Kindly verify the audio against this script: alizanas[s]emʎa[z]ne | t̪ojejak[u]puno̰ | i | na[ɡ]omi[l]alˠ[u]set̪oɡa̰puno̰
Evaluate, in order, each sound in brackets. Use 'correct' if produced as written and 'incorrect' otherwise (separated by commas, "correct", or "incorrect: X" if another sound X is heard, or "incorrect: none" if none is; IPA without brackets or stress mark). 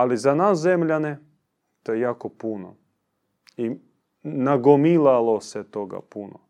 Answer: incorrect: z, incorrect: none, incorrect: o, correct, correct, incorrect: o